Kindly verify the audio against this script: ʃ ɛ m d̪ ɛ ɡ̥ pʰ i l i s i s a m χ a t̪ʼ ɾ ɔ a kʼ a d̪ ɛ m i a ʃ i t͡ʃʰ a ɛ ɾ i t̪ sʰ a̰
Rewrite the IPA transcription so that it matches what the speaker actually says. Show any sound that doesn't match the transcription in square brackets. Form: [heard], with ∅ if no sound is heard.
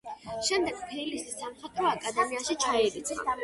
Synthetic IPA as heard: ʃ ɛ m d̪ ɛ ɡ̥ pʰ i l i s i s a m χ a t̪ʼ ɾ ɔ a kʼ a d̪ ɛ m i a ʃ i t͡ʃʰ a ɛ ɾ i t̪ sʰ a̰